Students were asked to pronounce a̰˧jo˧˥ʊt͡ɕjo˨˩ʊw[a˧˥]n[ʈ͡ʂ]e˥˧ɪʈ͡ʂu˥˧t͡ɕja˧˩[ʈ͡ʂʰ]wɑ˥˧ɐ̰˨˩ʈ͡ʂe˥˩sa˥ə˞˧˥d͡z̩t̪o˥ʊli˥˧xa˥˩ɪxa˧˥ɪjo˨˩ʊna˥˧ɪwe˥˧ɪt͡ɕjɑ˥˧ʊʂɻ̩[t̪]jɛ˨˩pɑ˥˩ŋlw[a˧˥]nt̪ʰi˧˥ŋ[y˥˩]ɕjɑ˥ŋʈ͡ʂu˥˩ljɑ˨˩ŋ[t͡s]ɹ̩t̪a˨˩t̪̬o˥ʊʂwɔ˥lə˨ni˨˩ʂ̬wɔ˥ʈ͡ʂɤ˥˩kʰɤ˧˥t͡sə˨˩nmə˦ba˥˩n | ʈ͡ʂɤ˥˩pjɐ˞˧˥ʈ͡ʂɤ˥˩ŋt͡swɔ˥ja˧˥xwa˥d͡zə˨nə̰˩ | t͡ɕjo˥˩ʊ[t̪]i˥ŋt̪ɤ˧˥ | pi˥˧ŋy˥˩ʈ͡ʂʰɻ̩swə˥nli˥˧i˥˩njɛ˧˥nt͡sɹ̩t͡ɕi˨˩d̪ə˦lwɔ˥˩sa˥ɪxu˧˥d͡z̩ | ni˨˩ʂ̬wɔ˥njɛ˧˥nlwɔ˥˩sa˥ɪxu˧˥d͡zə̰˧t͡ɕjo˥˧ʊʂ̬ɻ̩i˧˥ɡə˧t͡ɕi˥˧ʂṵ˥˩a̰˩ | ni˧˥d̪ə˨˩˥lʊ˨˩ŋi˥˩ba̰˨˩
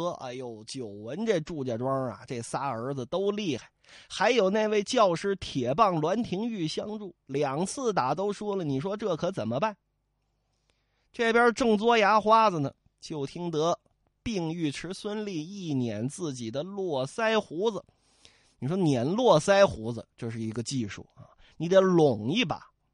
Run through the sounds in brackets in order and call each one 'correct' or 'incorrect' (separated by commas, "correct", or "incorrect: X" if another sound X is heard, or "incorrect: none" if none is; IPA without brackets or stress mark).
incorrect: ə˧˥, correct, incorrect: ʈ͡ʂ, incorrect: t̪ʰ, correct, correct, incorrect: t͡sʰ, incorrect: t̪ʰ